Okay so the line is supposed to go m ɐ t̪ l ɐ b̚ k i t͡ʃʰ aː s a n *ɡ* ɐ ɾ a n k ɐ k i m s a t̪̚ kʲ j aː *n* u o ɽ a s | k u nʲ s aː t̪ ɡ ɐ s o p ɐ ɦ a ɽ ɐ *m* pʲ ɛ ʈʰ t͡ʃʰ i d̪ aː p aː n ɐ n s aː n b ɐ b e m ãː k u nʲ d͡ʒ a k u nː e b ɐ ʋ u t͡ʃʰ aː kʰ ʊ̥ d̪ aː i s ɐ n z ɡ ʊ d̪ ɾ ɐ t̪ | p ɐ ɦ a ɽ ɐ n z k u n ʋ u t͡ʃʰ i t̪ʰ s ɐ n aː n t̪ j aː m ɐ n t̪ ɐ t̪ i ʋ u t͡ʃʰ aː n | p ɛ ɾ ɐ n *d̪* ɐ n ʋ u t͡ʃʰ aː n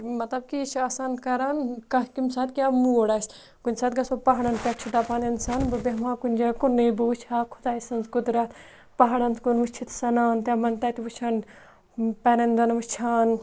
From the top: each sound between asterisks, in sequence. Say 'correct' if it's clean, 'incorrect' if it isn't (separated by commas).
incorrect, incorrect, incorrect, correct